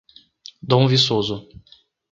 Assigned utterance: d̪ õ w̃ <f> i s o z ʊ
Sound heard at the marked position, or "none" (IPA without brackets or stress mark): v